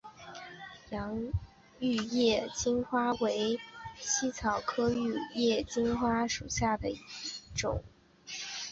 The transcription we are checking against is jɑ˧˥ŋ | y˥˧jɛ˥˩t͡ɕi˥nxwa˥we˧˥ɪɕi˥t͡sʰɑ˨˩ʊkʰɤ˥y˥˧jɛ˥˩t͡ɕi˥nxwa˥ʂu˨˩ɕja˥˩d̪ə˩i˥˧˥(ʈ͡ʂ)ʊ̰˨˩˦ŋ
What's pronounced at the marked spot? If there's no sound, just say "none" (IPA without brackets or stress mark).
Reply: ʈ͡ʂ